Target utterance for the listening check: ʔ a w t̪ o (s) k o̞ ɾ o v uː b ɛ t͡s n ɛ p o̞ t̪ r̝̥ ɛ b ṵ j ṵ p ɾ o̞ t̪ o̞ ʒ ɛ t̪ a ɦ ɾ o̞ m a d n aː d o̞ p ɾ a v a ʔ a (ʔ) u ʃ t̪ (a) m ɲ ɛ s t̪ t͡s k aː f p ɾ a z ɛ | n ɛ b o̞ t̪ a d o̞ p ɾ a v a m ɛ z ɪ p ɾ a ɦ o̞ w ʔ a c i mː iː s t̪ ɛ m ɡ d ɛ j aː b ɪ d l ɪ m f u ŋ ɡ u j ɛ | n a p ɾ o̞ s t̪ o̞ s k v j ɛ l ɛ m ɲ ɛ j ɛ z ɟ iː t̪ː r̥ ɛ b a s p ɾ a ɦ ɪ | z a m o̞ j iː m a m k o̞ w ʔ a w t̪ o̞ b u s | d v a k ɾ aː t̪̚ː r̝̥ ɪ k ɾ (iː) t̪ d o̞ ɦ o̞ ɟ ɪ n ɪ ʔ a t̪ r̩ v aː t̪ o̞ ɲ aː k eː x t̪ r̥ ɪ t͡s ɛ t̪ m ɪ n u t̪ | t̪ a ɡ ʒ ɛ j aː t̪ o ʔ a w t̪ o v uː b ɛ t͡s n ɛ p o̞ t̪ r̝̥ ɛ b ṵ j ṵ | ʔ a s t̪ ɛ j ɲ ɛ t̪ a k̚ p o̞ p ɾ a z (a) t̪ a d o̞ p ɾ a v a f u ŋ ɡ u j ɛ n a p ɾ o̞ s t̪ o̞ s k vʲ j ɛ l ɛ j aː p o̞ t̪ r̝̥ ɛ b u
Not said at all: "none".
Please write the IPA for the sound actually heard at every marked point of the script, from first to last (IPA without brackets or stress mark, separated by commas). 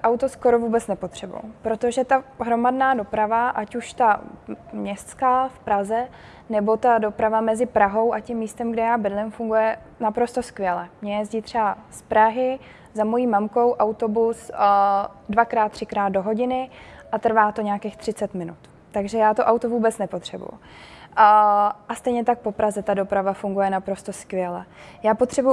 s, c, a, aː, ɛ